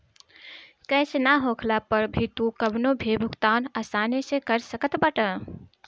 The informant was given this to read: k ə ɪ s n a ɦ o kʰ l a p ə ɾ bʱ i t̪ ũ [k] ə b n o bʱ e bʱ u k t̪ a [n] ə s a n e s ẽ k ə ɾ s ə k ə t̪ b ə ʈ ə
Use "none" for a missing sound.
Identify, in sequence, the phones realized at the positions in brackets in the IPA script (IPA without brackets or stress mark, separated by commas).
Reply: k, n